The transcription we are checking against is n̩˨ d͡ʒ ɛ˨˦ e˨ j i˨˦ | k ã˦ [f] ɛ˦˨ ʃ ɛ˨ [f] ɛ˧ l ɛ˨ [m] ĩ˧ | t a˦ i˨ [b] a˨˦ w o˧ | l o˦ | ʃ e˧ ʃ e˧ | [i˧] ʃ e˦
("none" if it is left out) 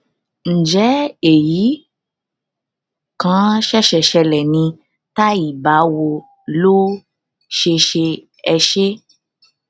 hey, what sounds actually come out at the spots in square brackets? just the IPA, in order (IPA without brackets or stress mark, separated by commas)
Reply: ʃ, ʃ, n, b, ɛ˧